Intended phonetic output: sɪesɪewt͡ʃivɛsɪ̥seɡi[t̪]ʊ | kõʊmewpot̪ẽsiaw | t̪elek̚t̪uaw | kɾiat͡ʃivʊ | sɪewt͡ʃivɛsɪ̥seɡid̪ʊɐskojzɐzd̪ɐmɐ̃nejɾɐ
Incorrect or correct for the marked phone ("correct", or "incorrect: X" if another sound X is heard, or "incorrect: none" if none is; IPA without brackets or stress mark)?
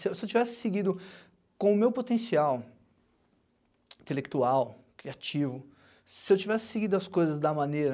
incorrect: d̪